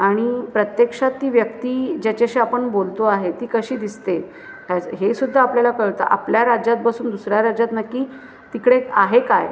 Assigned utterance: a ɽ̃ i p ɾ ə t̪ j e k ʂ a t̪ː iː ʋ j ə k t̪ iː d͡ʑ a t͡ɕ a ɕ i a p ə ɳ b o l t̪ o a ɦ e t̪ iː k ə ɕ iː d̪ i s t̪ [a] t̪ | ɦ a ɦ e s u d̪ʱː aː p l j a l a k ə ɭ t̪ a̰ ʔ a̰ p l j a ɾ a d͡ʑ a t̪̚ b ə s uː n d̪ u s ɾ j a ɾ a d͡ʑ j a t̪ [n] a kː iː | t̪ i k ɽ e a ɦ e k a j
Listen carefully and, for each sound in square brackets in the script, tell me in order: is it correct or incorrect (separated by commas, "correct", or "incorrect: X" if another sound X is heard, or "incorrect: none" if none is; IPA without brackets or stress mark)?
incorrect: e, correct